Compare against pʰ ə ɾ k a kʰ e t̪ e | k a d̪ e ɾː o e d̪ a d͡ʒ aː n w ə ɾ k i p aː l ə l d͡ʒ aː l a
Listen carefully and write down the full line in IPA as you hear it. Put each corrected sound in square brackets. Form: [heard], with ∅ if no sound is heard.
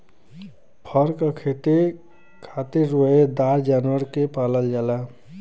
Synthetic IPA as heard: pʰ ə ɾ k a kʰ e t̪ e | [kʰ] a [t̪] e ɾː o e d̪ a d͡ʒ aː n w ə ɾ k [e] p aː l ə l d͡ʒ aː l a